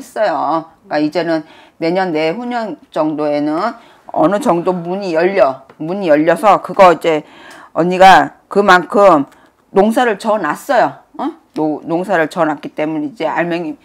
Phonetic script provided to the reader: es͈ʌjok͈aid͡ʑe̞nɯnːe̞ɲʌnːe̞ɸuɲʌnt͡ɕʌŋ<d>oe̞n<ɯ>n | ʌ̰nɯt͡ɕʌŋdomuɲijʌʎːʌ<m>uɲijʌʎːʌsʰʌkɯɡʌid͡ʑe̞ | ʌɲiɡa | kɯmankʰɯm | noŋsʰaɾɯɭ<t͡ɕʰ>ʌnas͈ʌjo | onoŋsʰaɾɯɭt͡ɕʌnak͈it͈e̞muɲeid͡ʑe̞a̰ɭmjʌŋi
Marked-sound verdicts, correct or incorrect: correct, correct, correct, incorrect

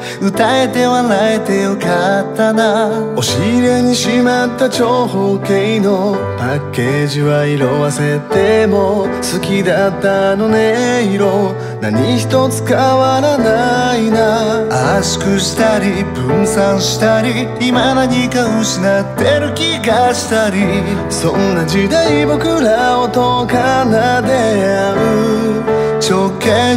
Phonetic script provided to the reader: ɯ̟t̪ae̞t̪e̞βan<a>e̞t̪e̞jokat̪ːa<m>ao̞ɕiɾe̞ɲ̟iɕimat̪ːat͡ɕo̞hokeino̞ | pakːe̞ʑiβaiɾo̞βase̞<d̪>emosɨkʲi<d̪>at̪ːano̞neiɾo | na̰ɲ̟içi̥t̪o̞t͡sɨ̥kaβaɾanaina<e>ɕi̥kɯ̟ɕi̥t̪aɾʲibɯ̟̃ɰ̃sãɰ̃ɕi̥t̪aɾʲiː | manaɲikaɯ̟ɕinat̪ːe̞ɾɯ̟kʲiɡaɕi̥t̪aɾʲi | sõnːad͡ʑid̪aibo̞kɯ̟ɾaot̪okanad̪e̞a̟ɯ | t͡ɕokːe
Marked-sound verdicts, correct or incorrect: correct, incorrect, incorrect, correct, incorrect

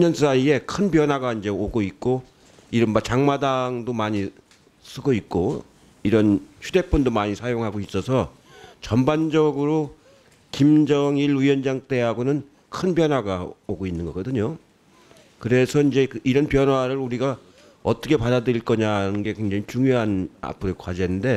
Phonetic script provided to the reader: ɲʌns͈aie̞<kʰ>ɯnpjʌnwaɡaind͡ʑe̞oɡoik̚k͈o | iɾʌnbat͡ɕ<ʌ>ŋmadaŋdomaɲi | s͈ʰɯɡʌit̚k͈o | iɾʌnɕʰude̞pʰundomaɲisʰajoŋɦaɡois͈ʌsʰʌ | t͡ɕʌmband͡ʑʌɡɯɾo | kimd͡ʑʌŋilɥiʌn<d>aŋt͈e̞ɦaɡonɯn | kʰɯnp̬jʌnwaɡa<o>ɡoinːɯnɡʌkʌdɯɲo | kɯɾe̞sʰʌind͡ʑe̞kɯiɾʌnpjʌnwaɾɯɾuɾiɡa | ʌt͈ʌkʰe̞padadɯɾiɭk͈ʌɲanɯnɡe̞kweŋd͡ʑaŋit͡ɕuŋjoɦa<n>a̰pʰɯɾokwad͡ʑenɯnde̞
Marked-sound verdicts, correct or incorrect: correct, incorrect, incorrect, correct, correct

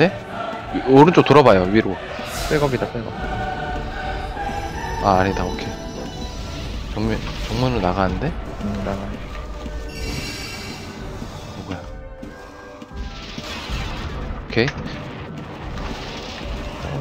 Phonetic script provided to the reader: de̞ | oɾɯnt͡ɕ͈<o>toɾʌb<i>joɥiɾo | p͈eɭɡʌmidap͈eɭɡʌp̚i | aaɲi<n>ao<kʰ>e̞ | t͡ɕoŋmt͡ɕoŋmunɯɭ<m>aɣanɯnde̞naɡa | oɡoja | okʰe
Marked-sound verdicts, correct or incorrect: correct, incorrect, incorrect, correct, incorrect

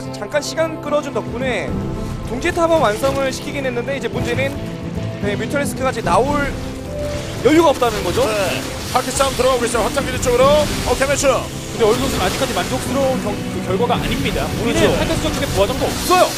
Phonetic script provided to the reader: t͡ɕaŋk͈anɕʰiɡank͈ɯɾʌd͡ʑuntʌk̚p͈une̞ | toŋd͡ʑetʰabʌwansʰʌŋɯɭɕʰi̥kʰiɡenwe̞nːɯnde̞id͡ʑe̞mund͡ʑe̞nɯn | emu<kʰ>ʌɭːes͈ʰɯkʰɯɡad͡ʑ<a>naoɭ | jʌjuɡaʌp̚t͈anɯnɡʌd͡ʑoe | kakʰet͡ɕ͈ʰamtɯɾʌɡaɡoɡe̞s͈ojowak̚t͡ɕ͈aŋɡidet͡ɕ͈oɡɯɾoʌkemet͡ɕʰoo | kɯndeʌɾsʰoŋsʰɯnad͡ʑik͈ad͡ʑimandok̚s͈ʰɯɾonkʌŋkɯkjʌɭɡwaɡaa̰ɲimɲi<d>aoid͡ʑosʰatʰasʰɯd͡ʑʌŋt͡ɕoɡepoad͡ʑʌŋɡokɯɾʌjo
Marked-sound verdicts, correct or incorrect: incorrect, incorrect, correct

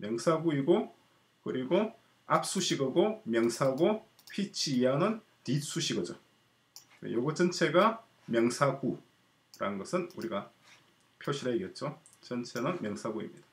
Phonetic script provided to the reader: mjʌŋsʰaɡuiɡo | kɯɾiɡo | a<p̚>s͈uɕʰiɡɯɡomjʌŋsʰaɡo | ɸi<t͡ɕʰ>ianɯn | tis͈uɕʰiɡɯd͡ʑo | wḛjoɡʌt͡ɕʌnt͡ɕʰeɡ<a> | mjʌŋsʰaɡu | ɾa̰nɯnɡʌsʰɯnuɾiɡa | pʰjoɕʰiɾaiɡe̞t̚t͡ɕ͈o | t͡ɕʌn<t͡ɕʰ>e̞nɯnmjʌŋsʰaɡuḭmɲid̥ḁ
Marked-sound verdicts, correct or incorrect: correct, correct, correct, correct

